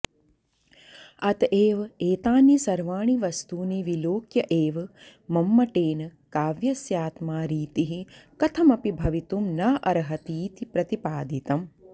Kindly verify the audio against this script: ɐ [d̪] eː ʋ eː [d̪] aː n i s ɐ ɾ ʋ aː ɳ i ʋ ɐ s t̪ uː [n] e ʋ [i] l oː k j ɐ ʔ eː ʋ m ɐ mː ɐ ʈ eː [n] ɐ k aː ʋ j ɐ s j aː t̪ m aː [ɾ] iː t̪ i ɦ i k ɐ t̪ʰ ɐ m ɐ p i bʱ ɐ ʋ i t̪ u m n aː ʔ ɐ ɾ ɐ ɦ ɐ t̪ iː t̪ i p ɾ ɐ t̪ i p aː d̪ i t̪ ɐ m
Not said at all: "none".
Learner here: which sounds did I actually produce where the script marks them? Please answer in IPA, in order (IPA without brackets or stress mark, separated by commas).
t̪, t̪, n, i, n, ɾ